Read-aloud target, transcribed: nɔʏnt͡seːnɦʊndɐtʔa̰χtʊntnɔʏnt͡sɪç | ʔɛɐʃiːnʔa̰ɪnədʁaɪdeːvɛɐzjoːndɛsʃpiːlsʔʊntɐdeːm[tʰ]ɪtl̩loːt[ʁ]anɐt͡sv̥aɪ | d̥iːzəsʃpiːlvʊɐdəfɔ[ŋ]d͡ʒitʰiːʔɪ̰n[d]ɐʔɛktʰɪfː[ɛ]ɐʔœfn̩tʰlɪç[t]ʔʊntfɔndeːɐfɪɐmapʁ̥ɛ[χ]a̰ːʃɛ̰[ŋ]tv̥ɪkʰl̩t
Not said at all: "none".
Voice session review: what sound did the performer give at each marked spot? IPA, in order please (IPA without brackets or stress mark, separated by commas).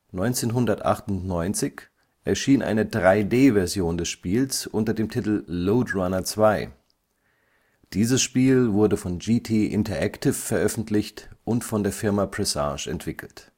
tʰ, ʁ, n, t, ɛ, t, s, n